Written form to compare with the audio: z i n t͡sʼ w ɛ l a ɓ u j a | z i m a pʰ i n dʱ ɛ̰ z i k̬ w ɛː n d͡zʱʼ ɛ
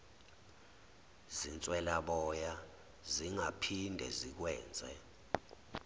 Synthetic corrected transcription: z i n t͡sʼ w ɛ l a ɓ ɔ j a | z i ŋ a pʰ i n dʱ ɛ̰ z i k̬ w ɛː n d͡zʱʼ ɛ